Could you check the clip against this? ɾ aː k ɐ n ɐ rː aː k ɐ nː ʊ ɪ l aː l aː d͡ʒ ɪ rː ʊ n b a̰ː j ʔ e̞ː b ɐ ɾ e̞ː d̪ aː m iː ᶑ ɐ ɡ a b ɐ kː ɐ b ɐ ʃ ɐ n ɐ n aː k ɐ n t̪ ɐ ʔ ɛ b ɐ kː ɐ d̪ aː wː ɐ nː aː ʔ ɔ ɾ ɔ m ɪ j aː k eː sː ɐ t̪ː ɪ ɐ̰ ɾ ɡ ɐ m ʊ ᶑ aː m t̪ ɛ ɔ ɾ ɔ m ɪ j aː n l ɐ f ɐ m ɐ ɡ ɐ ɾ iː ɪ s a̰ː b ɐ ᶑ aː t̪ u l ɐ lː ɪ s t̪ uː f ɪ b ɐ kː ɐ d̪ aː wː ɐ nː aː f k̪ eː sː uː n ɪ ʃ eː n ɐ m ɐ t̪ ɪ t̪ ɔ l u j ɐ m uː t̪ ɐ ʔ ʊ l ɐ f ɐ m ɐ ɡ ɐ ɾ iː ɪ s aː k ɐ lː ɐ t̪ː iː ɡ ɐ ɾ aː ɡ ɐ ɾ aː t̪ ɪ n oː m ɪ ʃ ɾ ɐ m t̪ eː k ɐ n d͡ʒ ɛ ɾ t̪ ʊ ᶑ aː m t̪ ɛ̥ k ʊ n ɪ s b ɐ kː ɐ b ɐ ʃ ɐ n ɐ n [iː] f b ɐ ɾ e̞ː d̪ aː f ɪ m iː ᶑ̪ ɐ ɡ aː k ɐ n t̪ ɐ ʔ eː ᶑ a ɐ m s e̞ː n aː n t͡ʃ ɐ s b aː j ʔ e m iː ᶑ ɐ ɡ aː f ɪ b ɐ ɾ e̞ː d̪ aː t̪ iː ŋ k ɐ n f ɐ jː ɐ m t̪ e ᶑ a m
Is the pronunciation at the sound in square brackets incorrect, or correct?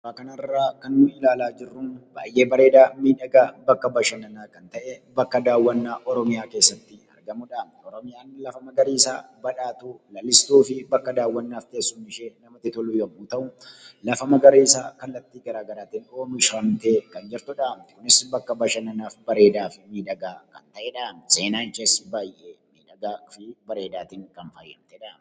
incorrect